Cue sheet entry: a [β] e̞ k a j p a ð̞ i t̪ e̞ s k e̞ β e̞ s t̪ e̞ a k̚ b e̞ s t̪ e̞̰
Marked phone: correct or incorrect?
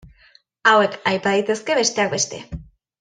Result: incorrect